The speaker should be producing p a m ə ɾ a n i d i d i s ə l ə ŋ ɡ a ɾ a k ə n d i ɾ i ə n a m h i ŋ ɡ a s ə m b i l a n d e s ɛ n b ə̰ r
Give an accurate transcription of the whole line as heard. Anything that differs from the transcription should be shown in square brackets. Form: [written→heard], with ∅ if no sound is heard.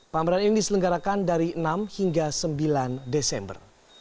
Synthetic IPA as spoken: p a m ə ɾ a n i [d→n] i d i s ə l ə ŋ ɡ a ɾ a k [ə→a] n d [i→a] ɾ i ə n a m h i ŋ ɡ a s ə m b i l a n d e s ɛ [n→m] b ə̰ r